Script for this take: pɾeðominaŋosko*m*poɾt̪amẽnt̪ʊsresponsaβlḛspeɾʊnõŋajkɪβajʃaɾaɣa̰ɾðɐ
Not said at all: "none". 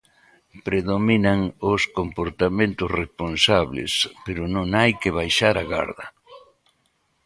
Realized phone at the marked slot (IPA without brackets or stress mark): m